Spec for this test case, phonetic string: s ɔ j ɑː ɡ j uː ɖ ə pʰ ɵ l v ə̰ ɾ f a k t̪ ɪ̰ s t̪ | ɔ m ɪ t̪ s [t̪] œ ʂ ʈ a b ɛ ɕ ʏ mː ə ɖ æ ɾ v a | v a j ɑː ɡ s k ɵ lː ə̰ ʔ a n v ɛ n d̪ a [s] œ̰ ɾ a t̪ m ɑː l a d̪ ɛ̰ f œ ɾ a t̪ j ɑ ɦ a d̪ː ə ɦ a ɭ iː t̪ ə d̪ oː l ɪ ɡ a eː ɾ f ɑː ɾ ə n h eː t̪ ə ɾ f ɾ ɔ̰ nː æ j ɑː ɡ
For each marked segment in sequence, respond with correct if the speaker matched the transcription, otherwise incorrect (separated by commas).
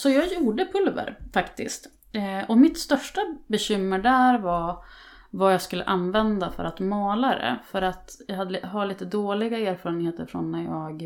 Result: correct, incorrect